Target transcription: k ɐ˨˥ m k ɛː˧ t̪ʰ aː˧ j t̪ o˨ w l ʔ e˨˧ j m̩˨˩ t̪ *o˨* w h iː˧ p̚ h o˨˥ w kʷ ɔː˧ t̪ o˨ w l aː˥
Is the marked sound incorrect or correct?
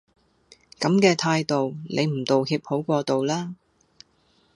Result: correct